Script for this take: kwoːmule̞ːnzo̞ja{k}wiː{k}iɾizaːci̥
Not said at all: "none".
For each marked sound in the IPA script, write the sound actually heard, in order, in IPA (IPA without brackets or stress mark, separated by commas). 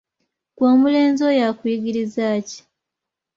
k, ɡ